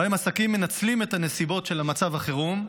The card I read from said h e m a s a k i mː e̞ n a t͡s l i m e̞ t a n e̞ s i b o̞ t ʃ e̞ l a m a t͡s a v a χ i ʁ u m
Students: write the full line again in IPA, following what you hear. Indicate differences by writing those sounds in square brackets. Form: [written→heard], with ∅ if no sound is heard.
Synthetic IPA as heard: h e m a s a k i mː e̞ n a t͡s l i m e̞ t a n e̞ s i b o̞ t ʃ e̞ l a m a t͡s a v a χ [i→e] ʁ u m